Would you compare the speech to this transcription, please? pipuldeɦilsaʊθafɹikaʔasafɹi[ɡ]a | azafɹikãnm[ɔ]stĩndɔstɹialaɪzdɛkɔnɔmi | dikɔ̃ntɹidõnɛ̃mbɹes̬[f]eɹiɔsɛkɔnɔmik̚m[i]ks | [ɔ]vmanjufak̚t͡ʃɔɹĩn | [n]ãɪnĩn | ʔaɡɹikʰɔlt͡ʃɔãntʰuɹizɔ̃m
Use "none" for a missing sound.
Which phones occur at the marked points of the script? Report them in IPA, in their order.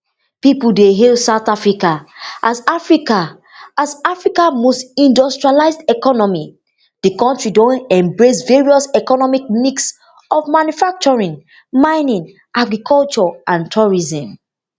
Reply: k, o, v, i, ɔ, m

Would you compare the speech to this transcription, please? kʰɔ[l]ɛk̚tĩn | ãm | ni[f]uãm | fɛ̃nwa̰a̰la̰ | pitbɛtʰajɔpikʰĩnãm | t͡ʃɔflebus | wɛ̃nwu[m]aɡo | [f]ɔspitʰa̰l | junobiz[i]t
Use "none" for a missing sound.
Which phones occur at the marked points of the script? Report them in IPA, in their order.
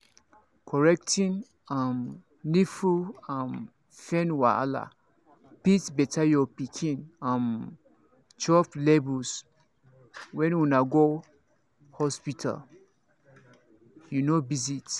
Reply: ɹ, f, n, h, i

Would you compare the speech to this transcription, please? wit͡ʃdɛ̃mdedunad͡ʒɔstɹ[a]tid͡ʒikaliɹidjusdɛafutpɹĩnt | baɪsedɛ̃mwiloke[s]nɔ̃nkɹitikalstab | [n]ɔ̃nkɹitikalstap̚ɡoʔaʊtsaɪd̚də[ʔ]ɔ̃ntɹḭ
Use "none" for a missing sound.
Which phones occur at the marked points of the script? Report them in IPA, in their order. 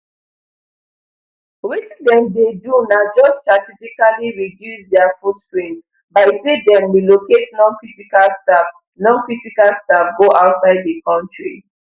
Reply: a, t, n, k

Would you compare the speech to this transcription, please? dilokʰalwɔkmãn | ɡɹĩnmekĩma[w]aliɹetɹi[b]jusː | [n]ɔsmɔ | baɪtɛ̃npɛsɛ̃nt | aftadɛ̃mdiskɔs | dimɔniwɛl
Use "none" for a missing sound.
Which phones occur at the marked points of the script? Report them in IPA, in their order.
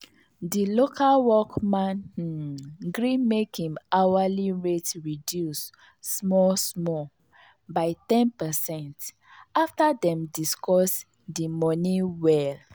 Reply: w, d, m

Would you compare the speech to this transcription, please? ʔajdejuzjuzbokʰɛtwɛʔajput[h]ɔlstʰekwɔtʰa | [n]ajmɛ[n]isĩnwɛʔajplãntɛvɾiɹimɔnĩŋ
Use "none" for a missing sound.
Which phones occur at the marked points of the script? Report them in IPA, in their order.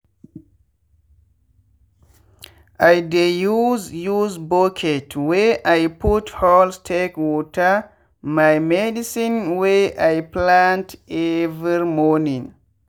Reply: h, m, d

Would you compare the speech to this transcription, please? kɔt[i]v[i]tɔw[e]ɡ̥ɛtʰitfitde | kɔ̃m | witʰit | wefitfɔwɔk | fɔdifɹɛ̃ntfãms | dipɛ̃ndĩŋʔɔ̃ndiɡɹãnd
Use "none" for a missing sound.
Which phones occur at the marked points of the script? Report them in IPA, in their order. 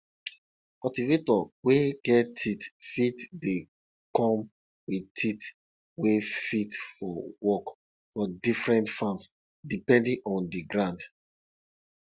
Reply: i, e, e

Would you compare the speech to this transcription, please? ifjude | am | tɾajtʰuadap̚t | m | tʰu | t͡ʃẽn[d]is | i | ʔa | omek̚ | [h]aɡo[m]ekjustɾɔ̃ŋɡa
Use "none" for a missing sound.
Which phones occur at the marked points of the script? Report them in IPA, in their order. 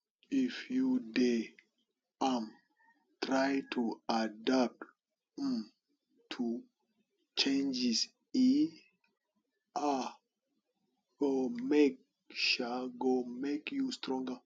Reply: d͡ʒ, ʃ, m

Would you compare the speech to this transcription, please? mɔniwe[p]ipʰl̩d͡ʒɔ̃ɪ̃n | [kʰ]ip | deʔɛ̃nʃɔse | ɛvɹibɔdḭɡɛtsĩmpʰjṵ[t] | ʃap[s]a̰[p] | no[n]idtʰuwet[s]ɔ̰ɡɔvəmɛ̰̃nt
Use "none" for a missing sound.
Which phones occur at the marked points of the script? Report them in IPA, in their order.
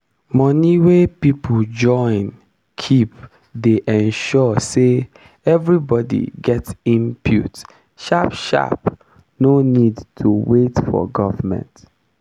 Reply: p, kʰ, t, ʃ, p, n, f

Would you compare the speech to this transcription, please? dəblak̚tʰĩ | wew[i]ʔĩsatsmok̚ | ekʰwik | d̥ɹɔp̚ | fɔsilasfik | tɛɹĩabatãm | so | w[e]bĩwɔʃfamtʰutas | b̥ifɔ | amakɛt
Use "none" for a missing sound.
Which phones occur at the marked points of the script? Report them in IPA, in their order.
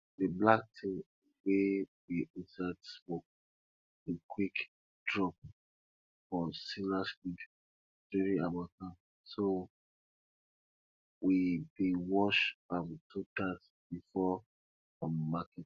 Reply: i, i

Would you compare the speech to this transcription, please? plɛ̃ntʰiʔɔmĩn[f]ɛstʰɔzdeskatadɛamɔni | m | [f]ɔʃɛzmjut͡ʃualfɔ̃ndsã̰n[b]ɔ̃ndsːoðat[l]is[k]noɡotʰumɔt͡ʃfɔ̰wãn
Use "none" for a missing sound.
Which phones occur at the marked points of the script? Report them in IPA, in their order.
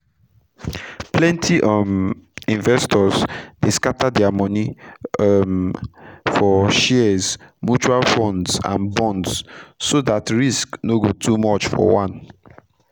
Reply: v, f, b, ɹ, k

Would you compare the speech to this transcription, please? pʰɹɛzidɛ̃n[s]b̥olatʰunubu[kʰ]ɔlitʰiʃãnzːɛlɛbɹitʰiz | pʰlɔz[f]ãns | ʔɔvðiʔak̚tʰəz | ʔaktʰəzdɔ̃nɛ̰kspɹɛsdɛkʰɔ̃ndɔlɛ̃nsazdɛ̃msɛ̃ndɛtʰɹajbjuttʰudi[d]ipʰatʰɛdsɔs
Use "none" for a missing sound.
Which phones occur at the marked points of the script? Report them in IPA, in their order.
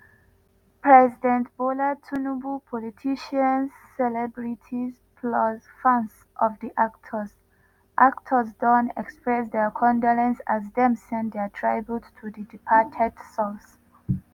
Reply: t, pʰ, f, d

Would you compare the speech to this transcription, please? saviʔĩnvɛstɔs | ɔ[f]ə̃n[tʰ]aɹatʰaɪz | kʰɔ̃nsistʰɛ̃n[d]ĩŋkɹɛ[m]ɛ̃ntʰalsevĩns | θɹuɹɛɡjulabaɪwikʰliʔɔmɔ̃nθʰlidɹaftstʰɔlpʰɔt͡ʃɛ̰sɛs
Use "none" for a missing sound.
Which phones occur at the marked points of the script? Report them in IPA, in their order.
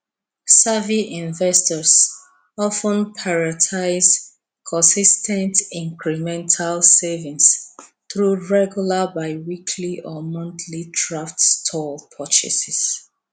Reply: f, pʰ, t, m

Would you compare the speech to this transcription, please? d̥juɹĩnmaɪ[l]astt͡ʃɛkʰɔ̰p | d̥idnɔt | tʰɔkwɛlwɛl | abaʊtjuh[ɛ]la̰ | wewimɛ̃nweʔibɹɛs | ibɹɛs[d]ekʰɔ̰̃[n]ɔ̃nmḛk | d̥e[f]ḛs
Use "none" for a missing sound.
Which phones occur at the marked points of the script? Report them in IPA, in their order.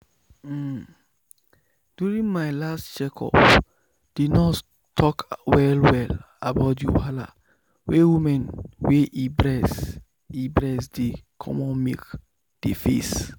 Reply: l, a, d, m, f

